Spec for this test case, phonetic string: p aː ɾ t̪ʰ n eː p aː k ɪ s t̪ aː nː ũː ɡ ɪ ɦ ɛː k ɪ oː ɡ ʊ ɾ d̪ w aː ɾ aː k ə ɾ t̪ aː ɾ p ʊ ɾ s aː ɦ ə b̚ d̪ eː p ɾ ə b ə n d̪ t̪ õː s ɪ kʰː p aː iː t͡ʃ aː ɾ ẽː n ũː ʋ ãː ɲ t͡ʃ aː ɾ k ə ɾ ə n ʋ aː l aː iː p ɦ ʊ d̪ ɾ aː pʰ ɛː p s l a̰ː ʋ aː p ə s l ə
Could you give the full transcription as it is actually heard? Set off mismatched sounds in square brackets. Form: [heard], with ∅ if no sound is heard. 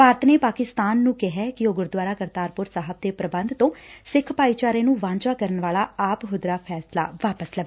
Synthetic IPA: p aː ɾ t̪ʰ n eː p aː k ɪ s t̪ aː nː ũː [k] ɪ ɦ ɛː k ɪ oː ɡ ʊ ɾ d̪ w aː ɾ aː k ə ɾ t̪ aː ɾ p ʊ ɾ s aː ɦ ə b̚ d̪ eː p ɾ ə b ə n d̪ t̪ õː s ɪ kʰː p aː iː t͡ʃ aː ɾ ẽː n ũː ʋ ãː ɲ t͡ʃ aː [∅] k ə ɾ ə n ʋ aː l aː [aː] p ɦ ʊ d̪ ɾ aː pʰ ɛː [∅] s l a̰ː ʋ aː p ə s l ə

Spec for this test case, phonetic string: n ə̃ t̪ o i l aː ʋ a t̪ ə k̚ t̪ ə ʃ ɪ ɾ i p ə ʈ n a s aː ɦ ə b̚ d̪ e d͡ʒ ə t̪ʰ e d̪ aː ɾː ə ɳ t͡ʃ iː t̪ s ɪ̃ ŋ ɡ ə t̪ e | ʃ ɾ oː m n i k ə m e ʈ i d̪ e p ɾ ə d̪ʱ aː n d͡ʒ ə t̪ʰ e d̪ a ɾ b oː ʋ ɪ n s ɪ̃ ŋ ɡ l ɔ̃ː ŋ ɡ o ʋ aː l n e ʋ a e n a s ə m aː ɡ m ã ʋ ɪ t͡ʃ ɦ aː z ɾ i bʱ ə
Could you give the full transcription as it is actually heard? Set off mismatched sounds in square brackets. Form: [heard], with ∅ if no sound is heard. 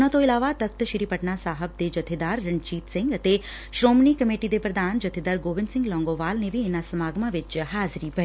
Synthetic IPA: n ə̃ t̪ o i l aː ʋ a t̪ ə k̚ t̪ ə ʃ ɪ ɾ i p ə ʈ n a s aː ɦ ə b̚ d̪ e d͡ʒ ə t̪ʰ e d̪ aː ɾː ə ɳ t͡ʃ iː t̪ s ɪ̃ ŋ ɡ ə t̪ e | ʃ ɾ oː m n i k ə m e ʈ i d̪ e p ɾ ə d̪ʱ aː n d͡ʒ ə t̪ʰ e d̪ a ɾ [ɡ] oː ʋ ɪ n s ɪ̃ ŋ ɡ l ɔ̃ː ŋ ɡ o ʋ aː l n e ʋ [i] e n a s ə m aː ɡ m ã ʋ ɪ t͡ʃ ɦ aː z ɾ i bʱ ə

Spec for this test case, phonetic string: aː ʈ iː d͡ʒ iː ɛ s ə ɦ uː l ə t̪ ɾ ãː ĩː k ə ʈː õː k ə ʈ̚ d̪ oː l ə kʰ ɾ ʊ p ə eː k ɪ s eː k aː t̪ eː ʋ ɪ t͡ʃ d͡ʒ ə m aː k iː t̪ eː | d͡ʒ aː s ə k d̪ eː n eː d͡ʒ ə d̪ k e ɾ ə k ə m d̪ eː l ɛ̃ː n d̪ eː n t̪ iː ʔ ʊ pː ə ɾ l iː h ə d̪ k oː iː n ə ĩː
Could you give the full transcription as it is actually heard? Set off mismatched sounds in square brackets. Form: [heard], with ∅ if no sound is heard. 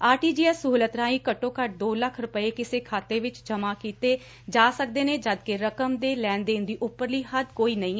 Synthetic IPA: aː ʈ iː d͡ʒ iː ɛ s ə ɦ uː l ə t̪ ɾ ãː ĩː k ə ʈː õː k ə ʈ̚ d̪ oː l ə kʰ ɾ ʊ p ə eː k ɪ s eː [kʰ] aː t̪ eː ʋ ɪ t͡ʃ d͡ʒ ə m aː k iː t̪ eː | d͡ʒ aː s ə k d̪ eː n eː d͡ʒ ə d̪ k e ɾ ə k ə m d̪ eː l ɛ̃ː n d̪ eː n [d̪] iː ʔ ʊ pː ə ɾ l iː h ə d̪ k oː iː n ə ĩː

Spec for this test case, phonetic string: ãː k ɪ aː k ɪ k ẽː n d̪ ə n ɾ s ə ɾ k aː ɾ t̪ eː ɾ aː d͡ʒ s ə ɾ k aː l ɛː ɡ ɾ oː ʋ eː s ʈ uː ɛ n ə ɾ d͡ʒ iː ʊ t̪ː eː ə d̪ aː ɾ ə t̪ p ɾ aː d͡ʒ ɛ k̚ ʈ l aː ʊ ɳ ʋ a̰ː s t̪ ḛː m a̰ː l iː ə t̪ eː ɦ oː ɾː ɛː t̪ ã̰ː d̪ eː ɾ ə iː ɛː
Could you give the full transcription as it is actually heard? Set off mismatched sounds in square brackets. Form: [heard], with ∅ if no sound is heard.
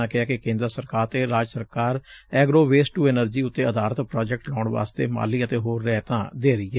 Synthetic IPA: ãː k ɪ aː k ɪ k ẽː n d̪ ə [∅] ɾ s ə ɾ k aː ɾ t̪ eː ɾ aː d͡ʒ s ə ɾ k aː [ɾ] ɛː ɡ ɾ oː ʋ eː s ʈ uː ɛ n ə ɾ d͡ʒ iː ʊ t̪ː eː ə d̪ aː ɾ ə t̪ p ɾ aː d͡ʒ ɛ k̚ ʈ l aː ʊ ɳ ʋ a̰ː s t̪ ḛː m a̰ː l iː ə t̪ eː ɦ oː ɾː ɛː t̪ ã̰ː d̪ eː ɾ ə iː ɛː

